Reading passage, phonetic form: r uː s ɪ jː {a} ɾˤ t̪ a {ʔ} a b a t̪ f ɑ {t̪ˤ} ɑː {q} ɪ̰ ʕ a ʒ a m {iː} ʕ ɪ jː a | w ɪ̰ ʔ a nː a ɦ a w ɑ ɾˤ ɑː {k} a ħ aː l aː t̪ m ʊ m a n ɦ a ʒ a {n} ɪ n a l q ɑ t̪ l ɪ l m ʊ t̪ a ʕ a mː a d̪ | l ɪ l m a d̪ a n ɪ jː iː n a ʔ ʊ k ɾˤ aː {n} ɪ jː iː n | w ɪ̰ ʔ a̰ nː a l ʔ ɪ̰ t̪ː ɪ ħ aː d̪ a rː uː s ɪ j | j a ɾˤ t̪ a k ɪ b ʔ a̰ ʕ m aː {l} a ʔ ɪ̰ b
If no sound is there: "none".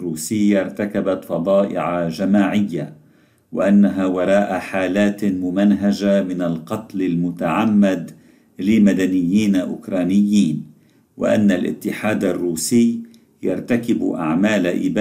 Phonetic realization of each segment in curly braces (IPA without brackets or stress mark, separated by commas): a, k, d̪ˤ, ʔ, aː, ʔ, m, n, l